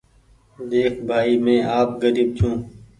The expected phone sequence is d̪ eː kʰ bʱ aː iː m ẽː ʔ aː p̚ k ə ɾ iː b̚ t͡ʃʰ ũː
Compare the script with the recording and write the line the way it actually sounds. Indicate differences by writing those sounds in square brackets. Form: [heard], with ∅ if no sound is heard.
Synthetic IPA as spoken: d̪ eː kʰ bʱ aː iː m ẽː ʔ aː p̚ [ɡ] ə ɾ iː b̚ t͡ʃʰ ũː